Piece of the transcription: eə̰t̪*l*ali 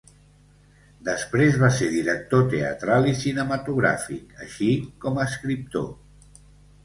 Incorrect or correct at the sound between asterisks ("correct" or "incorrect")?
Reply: incorrect